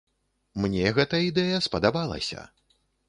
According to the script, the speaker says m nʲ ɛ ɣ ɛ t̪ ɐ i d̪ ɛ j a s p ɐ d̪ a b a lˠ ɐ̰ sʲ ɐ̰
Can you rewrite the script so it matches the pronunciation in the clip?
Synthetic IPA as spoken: m nʲ ɛ ɣ ɛ t̪ ɐ i d̪ ɛ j ɐ s p ɐ d̪ a b a lˠ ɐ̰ sʲ ɐ̰

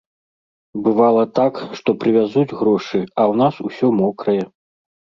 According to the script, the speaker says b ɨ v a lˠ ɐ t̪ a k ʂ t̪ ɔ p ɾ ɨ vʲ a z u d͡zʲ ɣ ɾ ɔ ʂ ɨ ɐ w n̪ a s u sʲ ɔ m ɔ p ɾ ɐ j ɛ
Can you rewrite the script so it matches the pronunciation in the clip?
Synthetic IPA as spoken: b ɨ v a lˠ ɐ t̪ a k ʂ t̪ ɔ p ɾ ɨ vʲ a z u d͡zʲ ɣ ɾ ɔ ʂ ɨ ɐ w n̪ a s u sʲ ɔ m ɔ k ɾ ɐ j ɛ

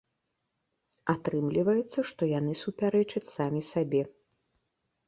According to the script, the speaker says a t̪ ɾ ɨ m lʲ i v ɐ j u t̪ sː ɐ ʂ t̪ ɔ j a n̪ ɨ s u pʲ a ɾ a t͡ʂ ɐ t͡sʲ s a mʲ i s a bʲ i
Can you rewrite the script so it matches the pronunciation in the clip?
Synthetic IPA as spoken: a t̪ ɾ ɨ m lʲ i v ɐ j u t̪ sː ɐ ʂ t̪ ɔ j a n̪ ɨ s u pʲ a ɾ ɛ t͡ʂ ɐ t͡sʲ s a mʲ i s a bʲ ɛ

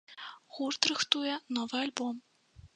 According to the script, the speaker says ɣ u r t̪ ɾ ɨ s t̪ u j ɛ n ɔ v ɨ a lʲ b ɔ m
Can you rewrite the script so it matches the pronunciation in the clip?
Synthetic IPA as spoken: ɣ u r t̪ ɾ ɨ x t̪ u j ɛ n ɔ v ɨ a lʲ b ɔ m

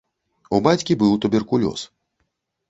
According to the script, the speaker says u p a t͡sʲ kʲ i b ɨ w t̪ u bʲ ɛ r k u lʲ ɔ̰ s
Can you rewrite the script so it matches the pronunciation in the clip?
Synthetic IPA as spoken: u b a t͡sʲ kʲ i b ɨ w t̪ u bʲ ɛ r k u lʲ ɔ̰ s

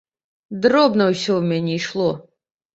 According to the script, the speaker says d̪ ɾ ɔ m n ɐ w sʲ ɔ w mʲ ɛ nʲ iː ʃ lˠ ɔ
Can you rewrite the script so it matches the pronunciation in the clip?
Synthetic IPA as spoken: d̪ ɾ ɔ b n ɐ w sʲ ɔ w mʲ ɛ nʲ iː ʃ lˠ ɔ

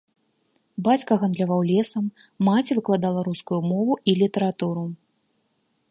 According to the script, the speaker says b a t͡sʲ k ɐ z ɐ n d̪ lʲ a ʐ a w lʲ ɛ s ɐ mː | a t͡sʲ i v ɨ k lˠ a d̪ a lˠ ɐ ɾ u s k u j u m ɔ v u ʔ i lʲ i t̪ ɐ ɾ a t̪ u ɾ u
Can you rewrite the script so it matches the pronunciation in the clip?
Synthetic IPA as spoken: b a t͡sʲ k ɐ ɣ ɐ n d̪ lʲ a v a w lʲ ɛ s ɐ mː | a t͡sʲ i v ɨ k lˠ a d̪ a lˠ ɐ ɾ u s k u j u m ɔ v u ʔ i lʲ i t̪ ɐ ɾ a t̪ u ɾ u

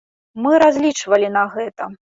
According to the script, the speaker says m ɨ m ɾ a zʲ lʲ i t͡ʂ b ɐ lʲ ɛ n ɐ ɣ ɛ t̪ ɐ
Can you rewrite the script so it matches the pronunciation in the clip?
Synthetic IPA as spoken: m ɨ ɾ a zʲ lʲ i t͡ʂ v ɐ lʲ i n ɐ ɣ ɛ t̪ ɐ

